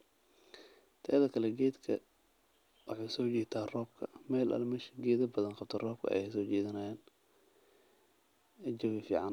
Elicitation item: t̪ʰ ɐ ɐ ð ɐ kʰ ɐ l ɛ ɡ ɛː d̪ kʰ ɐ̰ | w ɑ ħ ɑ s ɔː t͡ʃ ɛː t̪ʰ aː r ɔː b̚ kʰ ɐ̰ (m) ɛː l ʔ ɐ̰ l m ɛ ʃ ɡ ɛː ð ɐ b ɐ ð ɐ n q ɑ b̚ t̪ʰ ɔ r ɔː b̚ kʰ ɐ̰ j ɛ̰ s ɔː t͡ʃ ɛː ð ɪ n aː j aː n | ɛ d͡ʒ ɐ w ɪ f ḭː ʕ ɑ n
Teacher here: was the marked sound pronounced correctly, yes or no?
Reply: yes